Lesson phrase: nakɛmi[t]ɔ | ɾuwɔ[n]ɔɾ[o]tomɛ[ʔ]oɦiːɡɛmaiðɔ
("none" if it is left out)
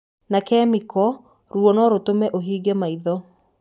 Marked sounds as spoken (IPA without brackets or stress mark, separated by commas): k, n, o, ʔ